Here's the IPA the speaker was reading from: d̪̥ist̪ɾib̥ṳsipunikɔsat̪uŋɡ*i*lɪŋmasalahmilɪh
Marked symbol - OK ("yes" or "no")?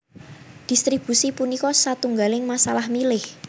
no